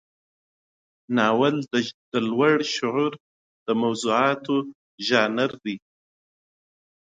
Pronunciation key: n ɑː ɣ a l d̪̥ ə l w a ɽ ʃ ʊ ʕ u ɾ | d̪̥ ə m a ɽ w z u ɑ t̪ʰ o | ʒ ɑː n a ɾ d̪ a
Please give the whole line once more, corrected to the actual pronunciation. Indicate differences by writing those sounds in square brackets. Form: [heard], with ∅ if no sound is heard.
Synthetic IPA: n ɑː [w] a l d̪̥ ə l w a ɽ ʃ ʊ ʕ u ɾ | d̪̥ ə m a [∅] w z u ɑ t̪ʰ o | ʒ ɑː n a ɾ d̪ [i]